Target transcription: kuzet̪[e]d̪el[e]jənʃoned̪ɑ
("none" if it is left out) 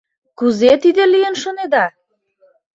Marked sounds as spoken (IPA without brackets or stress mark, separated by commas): i, i